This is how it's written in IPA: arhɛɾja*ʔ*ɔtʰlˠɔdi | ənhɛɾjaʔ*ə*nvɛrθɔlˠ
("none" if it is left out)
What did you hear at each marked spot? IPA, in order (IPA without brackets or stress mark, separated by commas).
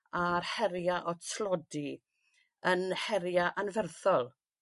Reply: ʔ, a